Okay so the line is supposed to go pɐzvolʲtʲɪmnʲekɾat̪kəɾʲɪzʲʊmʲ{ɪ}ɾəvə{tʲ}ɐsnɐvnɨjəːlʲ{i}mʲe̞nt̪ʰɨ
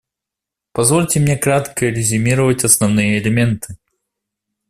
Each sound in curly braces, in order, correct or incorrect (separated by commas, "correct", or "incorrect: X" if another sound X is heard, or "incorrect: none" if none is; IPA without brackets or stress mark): incorrect: i, correct, incorrect: ɪ